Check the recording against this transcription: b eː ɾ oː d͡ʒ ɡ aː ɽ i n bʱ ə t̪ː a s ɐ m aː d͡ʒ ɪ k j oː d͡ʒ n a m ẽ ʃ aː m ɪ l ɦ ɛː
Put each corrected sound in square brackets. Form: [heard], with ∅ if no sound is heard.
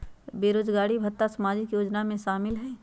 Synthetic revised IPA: b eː ɾ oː d͡ʒ ɡ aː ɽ i [∅] bʱ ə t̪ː a s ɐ m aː d͡ʒ ɪ k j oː d͡ʒ n a m ẽ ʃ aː m ɪ l ɦ ɛː